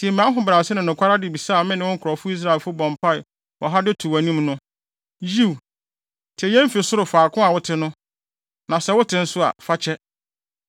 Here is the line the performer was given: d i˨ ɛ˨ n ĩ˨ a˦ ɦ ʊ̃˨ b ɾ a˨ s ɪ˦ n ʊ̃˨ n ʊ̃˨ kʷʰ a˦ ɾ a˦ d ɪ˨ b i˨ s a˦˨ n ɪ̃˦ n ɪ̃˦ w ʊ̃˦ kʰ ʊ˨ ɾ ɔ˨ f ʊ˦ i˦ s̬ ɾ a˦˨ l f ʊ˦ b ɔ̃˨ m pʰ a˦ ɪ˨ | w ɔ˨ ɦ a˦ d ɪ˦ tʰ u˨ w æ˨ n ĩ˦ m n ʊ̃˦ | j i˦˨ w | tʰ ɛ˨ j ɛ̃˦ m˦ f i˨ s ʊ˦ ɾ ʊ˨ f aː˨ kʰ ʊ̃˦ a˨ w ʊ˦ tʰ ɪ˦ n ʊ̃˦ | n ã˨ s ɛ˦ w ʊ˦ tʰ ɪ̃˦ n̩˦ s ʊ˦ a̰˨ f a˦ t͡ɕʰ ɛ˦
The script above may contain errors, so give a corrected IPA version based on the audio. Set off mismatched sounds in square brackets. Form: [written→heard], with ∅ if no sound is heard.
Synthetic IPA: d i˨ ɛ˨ [n→m] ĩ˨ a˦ ɦ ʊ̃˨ b ɾ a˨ s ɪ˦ n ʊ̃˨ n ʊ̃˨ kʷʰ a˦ ɾ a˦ d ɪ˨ b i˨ s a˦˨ [n→m] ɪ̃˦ n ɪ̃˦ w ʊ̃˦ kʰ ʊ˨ ɾ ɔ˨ f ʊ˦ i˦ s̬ ɾ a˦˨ l f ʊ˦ b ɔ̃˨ m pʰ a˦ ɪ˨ | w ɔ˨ ɦ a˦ d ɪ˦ tʰ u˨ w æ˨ n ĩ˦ m n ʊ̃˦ | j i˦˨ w | tʰ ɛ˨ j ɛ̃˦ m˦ f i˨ s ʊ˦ ɾ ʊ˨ f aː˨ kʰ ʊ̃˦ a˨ w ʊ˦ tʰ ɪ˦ n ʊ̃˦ | n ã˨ s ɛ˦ w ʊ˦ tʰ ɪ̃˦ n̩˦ s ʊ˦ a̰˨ f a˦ t͡ɕʰ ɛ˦